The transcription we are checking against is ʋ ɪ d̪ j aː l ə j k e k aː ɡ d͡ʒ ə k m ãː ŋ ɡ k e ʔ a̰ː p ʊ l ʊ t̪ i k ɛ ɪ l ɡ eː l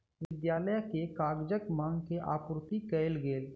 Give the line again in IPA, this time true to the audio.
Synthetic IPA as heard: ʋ ɪ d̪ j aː l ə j k e k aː ɡ d͡ʒ ə k m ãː ŋ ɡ k e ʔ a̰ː p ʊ ɾ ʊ t̪ i k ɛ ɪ l ɡ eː l

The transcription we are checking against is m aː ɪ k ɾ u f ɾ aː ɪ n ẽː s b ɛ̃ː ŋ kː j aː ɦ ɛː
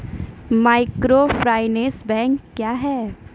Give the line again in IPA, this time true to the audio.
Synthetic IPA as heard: m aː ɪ k ɾ o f ɾ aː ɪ n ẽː s b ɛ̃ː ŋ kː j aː ɦ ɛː

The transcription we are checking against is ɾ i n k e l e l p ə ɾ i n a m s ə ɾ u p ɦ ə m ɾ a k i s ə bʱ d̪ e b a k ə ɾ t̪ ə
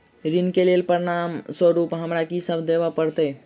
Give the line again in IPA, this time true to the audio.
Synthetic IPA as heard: ɾ i n k e l e l p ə ɾ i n a m s ə ɾ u p ɦ ə m ɾ a k i s ə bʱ d̪ e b a p ə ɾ t̪ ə

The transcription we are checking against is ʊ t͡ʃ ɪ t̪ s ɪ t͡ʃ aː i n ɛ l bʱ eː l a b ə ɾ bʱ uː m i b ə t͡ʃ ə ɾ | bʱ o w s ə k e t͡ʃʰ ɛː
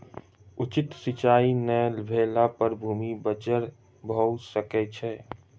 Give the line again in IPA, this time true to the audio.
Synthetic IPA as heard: ʊ t͡ʃ ɪ t̪ s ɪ t͡ʃ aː i n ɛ l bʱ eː l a p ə ɾ bʱ uː m i b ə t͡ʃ ə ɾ | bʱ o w s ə k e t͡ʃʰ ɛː

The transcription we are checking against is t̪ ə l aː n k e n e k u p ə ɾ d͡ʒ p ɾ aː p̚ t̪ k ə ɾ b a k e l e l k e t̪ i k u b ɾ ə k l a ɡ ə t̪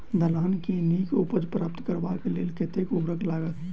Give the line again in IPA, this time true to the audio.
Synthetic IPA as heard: d̪ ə l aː n k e n i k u p ə d͡ʒ p ɾ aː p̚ t̪ k ə ɾ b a k e l e l k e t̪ e k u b ɾ ə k l a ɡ ə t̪

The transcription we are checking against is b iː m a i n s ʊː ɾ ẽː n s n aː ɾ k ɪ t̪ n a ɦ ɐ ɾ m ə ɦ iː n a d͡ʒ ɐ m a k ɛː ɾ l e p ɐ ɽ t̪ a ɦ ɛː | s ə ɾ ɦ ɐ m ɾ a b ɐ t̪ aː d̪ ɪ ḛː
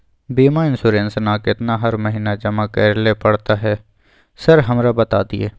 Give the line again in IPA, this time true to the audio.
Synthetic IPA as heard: b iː m a ɪ n s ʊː ɾ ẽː n s n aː k ɪ t̪ n a ɦ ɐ ɾ m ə ɦ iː n a d͡ʒ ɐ m a k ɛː ɾ l e p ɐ ɽ t̪ a ɦ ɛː | s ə ɾ ɦ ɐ m ɾ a b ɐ t̪ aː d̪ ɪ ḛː

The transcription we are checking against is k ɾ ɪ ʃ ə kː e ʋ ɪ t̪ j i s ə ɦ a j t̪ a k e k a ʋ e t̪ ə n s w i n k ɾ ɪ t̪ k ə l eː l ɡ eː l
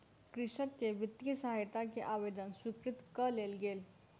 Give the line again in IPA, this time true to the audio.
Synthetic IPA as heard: k ɾ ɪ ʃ ə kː e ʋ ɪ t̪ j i s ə ɦ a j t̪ a k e ʔ a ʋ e d̪ ə n s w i k ɾ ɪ t̪ k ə l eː l ɡ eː l

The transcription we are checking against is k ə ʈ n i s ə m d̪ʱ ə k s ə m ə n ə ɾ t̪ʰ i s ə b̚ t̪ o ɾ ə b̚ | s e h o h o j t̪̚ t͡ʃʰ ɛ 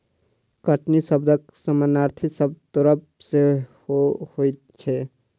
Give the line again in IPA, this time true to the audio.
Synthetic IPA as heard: k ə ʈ n i s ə b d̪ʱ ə k s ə m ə n a ɾ t̪ʰ i s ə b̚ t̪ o ɾ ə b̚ | s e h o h o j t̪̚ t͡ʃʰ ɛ

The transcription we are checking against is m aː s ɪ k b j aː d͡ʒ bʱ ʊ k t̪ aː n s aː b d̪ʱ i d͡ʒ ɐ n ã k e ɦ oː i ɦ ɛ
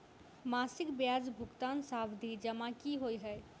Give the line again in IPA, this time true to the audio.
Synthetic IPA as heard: m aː s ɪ k b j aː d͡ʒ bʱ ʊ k t̪ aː n s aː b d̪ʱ i d͡ʒ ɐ m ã k i ɦ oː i ɦ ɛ

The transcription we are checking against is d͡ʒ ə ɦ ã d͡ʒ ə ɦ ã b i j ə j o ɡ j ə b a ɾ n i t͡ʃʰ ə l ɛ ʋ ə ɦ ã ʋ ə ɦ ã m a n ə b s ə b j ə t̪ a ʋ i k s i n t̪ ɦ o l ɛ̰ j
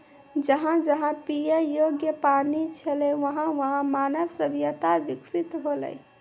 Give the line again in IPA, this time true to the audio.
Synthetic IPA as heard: d͡ʒ ə ɦ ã d͡ʒ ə ɦ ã p i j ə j o ɡ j ə p a ɾ n i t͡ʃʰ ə l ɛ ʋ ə ɦ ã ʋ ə ɦ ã m a n ə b s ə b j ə t̪ a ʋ i k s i t̪ ɦ o l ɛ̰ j

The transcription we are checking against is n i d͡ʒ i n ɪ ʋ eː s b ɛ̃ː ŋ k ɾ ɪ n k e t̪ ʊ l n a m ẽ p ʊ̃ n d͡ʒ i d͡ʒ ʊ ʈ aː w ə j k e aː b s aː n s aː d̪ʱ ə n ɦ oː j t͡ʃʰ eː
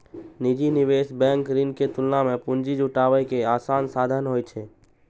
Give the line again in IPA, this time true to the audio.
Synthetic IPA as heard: n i d͡ʒ i n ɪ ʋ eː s b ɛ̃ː ŋ k ɾ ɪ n k e t̪ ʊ l n a m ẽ p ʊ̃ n d͡ʒ i d͡ʒ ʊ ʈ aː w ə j k e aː s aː n s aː d̪ʱ ə n ɦ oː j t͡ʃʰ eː

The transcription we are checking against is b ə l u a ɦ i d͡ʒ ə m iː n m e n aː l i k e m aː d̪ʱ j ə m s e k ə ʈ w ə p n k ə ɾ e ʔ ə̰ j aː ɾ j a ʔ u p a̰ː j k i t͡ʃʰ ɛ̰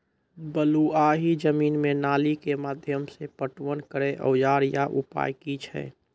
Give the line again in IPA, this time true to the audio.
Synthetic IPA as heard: b ə l u a ɦ i d͡ʒ ə m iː n m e n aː l i k e m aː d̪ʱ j ə m s e p ə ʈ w ə n k ə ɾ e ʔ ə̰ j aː ɾ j a ʔ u p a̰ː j k i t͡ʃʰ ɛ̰

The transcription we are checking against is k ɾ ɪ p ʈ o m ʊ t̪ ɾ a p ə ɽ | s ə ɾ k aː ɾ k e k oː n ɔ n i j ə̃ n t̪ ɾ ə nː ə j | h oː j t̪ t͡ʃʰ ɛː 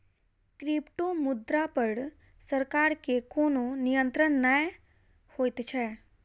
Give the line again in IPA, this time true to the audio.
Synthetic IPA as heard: k ɾ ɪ p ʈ o m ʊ d̪ ɾ a p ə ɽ | s ə ɾ k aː ɾ k e k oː n o n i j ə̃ n t̪ ɾ ə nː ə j | h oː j t̪ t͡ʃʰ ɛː

